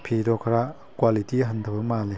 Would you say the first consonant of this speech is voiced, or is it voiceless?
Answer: voiceless